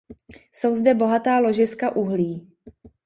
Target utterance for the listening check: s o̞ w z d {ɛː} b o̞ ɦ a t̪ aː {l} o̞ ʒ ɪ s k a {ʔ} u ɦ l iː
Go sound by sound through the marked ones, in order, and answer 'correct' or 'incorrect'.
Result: incorrect: ɛ, correct, correct

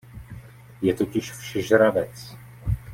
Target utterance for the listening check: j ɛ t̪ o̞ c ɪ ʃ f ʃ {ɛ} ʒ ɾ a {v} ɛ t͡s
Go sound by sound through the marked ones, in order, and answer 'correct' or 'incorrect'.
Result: correct, correct

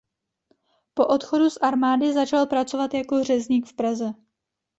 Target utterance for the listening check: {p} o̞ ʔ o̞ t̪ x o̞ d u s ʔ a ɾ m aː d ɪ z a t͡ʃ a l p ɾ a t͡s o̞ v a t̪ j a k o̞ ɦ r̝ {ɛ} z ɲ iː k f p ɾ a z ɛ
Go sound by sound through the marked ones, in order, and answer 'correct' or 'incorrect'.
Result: correct, correct

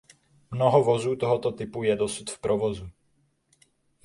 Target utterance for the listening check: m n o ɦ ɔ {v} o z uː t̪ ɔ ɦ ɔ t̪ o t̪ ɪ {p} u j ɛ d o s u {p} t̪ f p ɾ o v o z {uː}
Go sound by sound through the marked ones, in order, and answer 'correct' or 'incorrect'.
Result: correct, correct, incorrect: none, incorrect: u

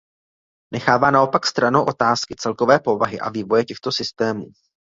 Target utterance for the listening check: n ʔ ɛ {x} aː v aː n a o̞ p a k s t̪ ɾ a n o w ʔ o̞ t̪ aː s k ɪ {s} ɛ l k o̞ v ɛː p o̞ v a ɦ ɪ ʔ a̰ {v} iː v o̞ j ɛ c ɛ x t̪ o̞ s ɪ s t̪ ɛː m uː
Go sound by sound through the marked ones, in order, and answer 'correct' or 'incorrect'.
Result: correct, incorrect: t͡s, correct

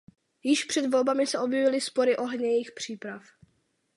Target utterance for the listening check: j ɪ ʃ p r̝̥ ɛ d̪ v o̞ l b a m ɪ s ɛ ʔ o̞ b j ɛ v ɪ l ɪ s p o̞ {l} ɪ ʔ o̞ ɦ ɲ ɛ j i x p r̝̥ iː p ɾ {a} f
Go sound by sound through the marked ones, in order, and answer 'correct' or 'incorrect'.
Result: incorrect: ɾ, correct

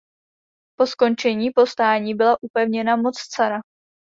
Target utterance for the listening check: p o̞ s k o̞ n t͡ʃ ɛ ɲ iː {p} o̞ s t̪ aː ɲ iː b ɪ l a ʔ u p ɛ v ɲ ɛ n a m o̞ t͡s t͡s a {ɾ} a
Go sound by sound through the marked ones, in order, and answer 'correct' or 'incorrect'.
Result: correct, correct

